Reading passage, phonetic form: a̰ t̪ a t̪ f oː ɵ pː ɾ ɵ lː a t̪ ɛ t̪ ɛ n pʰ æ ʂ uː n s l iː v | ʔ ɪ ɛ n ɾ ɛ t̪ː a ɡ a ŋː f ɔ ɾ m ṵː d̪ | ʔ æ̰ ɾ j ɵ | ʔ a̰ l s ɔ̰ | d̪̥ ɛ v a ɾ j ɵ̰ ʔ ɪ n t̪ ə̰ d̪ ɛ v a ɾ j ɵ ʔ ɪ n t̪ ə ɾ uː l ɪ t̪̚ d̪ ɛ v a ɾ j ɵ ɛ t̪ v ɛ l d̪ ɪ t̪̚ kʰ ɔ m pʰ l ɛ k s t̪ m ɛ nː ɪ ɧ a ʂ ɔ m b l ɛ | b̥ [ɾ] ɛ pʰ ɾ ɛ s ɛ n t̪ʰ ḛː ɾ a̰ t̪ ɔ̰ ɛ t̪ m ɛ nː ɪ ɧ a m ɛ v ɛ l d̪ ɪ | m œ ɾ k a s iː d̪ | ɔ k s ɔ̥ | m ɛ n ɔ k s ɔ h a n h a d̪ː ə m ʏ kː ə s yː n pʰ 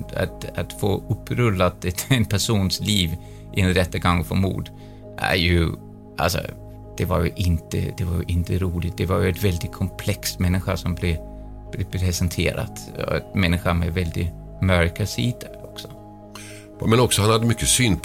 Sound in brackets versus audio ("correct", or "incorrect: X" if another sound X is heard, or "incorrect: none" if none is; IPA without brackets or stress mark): incorrect: l